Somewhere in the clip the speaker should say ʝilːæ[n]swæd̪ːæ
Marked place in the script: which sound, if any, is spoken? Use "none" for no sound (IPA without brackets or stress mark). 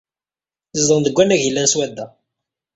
n